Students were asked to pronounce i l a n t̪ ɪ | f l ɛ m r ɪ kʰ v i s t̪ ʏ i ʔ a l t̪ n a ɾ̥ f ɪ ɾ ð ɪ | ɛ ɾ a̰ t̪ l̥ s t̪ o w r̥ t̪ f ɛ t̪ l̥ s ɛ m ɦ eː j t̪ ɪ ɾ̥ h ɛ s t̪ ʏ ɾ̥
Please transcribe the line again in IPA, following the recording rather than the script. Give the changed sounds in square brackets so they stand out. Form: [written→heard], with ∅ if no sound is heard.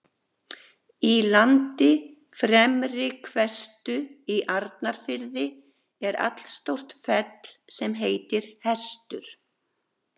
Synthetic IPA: i l a n t̪ ɪ | f [l→ɾ] ɛ m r ɪ kʰ v [i→ɛ] s t̪ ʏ i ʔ a [l→ɾ] t̪ n a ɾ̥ f ɪ ɾ ð ɪ | ɛ ɾ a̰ t̪ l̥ s t̪ o w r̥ t̪ f ɛ t̪ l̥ s ɛ m ɦ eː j t̪ ɪ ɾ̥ h ɛ s t̪ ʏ ɾ̥

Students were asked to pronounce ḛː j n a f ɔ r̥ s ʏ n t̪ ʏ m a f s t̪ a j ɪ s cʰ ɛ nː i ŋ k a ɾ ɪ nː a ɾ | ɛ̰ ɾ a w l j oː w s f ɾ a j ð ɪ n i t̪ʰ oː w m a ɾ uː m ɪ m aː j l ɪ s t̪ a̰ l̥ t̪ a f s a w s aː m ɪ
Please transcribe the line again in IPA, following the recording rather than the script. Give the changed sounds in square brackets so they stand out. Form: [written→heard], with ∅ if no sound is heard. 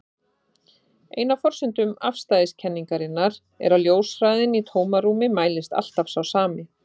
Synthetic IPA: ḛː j n a f ɔ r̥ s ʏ n t̪ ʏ m a f s t̪ a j ɪ s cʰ ɛ nː i ŋ k a ɾ ɪ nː a ɾ | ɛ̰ ɾ a w l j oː w s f ɾ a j ð ɪ n i t̪ʰ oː w m a ɾ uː m ɪ m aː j l ɪ s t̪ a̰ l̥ t̪ a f s a w s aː m ɪ

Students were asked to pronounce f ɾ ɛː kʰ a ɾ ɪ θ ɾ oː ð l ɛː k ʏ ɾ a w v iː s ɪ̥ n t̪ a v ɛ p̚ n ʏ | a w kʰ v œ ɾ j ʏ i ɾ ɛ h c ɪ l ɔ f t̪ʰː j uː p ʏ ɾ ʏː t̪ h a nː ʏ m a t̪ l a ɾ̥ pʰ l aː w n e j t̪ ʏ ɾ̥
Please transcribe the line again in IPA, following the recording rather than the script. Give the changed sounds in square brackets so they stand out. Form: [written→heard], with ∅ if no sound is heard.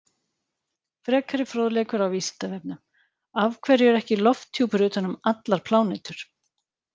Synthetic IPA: f ɾ ɛː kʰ a ɾ ɪ [θ→f] ɾ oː ð l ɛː k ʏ ɾ a w v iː s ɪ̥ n t̪ a v ɛ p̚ n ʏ | a [w→v] kʰ v [œ→ɛ] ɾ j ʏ [i→ɛ] ɾ ɛ h c ɪ l ɔ f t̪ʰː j uː p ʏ ɾ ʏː t̪ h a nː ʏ m a t̪ l a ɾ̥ pʰ l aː w n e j t̪ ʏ ɾ̥

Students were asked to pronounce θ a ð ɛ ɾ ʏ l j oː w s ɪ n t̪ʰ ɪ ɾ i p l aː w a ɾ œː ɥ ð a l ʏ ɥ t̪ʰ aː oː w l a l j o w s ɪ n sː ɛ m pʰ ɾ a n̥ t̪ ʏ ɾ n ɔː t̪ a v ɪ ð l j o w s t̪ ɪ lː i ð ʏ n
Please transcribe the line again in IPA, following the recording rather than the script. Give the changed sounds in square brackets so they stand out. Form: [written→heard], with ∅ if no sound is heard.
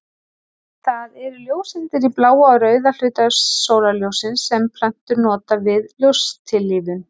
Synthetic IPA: θ a ð ɛ ɾ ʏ l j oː w s ɪ n [t̪ʰ→t̪] ɪ ɾ i p l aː w a ɾ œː ɥ ð a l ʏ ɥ [t̪ʰ→t̪] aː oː w l a l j o w s ɪ n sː ɛ m pʰ [ɾ→l] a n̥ t̪ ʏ ɾ n ɔː t̪ a v ɪ ð l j o w s [t̪→t̪ʰ] ɪ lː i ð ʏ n

